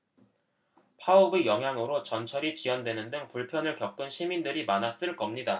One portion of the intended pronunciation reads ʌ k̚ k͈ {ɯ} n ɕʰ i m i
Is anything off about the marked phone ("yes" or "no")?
no